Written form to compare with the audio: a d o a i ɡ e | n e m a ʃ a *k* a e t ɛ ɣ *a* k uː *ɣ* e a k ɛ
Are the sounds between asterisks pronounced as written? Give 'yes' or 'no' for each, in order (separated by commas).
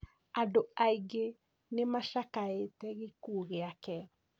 yes, no, yes